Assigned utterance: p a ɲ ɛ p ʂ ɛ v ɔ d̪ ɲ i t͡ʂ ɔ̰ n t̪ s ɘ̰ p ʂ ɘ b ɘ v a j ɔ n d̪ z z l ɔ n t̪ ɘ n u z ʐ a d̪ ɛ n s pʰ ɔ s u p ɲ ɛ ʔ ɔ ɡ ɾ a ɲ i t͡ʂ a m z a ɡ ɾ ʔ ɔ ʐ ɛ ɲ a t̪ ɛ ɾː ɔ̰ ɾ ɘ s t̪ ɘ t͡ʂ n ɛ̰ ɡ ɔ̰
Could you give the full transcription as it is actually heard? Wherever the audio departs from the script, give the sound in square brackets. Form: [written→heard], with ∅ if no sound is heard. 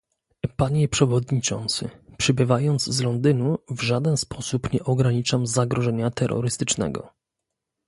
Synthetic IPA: p a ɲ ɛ p ʂ ɛ v ɔ d̪ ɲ i t͡ʂ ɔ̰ n t̪ s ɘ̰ p ʂ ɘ b ɘ v a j ɔ n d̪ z z l ɔ n [t̪→d̪] ɘ n u [z→v] ʐ a d̪ ɛ n s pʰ ɔ s u p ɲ ɛ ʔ ɔ ɡ ɾ a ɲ i t͡ʂ a m z a ɡ ɾ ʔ ɔ ʐ ɛ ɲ a t̪ ɛ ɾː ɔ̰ ɾ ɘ s t̪ ɘ t͡ʂ n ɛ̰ ɡ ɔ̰